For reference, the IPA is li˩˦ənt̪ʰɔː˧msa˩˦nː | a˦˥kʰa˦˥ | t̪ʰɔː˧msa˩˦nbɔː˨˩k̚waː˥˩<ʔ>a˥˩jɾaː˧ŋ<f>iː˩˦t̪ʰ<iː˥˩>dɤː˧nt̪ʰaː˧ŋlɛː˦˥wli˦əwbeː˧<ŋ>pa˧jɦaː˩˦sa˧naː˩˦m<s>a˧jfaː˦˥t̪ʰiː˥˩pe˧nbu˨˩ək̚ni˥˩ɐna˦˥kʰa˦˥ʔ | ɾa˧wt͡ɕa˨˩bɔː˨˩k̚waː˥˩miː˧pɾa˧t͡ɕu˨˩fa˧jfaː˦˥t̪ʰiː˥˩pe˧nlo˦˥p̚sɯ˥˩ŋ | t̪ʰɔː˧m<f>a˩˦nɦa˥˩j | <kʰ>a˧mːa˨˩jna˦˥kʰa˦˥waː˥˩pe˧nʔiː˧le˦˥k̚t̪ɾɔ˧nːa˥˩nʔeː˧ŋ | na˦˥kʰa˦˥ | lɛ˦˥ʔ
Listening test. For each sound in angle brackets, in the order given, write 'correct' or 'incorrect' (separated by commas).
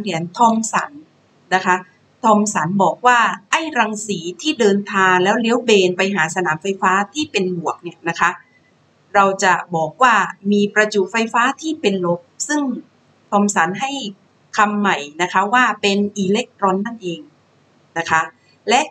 correct, incorrect, correct, incorrect, incorrect, incorrect, correct